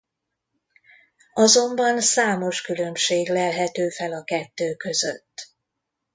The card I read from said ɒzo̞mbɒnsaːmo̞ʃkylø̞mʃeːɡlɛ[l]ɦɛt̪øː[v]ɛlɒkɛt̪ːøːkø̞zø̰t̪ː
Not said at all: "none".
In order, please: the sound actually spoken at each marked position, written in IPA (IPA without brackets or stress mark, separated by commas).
l, f